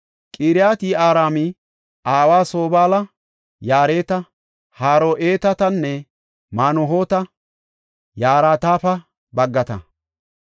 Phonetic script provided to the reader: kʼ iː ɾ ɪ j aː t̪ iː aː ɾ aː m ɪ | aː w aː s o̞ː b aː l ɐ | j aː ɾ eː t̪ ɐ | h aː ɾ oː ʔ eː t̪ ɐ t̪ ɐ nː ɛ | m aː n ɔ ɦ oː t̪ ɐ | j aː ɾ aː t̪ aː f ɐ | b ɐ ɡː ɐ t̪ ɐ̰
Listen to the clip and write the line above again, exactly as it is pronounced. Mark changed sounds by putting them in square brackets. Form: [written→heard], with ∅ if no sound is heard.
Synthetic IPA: kʼ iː ɾ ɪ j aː t̪ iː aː ɾ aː m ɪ | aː w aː s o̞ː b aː l ɐ | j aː ɾ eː t̪ ɐ | h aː ɾ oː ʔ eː t̪ ɐ t̪ ɐ nː ɛ | m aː n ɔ ɦ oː t̪ ɐ | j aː ɾ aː t̪ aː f ɐ | b ɐ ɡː ɐ t̪ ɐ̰